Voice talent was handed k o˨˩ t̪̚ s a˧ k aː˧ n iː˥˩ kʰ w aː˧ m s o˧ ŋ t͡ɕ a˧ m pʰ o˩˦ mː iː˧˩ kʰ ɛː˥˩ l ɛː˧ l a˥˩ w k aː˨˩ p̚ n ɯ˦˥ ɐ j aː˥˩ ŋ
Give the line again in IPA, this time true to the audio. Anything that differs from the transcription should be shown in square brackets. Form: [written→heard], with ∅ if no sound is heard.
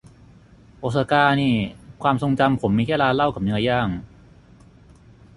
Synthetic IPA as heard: [k→ʔ] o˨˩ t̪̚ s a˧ k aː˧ n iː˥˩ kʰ w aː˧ m s o˧ ŋ t͡ɕ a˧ m pʰ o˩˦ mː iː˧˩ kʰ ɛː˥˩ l [ɛː˧→aː˧] l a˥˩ w k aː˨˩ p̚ n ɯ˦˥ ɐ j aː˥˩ ŋ